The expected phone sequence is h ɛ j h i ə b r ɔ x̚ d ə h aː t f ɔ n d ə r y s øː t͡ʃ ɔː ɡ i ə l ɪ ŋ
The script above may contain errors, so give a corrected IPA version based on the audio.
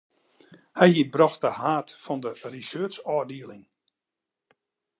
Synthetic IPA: h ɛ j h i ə b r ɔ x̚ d ə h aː t f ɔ n d ə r i s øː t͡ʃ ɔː d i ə l ɪ ŋ